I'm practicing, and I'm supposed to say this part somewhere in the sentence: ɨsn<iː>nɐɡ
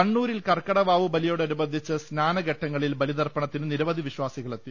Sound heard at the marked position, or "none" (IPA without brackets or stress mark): aː